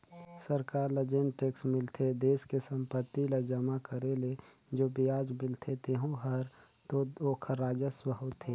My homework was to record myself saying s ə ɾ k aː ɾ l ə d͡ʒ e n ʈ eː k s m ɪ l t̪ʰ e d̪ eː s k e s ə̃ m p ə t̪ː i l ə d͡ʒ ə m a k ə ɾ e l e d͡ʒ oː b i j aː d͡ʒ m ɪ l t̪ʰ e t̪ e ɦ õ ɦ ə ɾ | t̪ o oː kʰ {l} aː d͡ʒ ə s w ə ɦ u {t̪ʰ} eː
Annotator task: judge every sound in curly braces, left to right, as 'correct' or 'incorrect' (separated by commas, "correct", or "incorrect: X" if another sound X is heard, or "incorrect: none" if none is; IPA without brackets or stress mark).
incorrect: ɾ, correct